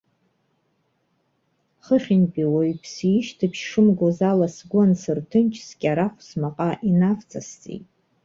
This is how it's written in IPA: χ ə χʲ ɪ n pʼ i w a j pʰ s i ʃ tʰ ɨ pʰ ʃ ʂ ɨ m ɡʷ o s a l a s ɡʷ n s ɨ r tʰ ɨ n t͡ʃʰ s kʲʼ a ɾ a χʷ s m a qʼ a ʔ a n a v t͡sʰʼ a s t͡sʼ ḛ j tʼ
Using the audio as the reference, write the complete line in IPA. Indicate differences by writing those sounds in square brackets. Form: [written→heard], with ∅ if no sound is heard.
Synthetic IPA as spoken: χ ə χʲ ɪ n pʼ i w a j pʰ s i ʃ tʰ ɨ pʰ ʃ ʂ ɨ m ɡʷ o [s→z] a l a s ɡʷ n s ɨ r tʰ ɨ n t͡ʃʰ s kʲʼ a ɾ a χʷ s m a qʼ a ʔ [a→i] n a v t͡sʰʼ a s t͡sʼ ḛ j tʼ